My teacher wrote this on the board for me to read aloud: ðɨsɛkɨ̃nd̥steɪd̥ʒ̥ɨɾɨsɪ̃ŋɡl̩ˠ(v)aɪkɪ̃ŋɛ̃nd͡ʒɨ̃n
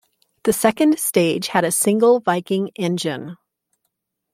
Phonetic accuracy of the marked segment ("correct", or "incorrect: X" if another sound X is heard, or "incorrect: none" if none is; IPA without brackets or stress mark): correct